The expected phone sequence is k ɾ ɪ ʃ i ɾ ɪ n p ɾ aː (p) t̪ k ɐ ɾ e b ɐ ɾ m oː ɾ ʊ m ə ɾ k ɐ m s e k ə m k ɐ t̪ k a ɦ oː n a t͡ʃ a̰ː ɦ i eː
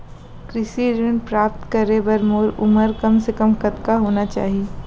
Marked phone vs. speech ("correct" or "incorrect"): correct